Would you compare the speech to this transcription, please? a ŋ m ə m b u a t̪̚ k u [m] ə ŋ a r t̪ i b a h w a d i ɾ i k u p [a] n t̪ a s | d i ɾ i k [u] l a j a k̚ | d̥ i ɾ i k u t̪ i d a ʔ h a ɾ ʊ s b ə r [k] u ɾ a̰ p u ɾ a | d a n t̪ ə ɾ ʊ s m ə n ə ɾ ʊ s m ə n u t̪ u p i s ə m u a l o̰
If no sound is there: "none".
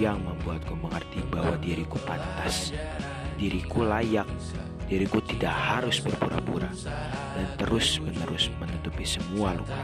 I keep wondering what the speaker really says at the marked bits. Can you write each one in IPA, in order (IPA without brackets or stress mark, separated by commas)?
m, a, u, p